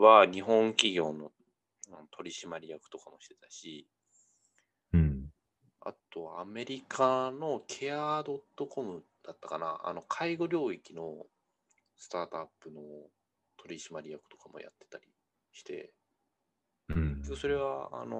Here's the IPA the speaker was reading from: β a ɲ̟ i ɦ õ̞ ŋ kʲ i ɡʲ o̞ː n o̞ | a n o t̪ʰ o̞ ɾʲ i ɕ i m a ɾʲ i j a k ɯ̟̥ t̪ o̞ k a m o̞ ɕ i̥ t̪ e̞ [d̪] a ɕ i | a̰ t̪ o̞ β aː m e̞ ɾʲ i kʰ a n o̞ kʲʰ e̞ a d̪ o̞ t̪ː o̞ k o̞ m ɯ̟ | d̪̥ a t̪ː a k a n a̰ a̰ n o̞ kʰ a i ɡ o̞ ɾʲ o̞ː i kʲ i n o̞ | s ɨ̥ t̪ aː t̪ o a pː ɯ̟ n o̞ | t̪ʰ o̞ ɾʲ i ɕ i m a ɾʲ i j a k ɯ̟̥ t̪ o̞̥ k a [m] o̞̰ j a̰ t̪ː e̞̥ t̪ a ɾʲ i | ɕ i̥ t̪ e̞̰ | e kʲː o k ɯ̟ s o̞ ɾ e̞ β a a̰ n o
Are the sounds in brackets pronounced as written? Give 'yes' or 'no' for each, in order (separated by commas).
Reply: no, yes